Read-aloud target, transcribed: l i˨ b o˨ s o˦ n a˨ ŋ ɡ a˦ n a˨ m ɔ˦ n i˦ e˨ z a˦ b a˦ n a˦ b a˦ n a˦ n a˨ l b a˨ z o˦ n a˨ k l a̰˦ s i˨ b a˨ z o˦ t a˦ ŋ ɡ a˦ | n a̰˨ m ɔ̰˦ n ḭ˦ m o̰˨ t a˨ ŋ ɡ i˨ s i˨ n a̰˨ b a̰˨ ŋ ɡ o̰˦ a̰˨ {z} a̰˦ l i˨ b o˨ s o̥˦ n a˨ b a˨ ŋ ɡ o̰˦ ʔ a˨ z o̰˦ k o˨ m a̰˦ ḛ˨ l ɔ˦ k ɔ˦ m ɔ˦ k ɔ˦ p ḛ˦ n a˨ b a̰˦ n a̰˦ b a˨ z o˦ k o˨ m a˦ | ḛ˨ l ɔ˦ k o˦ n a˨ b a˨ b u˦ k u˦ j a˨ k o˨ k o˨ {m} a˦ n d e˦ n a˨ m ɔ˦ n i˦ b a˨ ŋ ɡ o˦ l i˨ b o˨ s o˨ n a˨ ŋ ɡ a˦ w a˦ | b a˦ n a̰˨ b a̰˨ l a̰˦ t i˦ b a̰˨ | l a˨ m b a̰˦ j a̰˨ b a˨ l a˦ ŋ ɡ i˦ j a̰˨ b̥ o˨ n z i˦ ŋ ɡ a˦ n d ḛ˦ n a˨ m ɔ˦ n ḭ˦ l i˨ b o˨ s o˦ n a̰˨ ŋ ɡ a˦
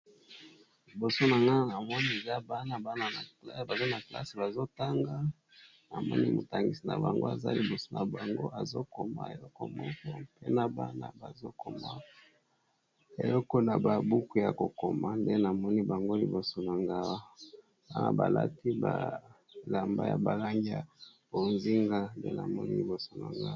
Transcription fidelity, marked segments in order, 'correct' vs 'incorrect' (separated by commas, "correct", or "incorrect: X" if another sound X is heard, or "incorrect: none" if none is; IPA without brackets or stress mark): correct, correct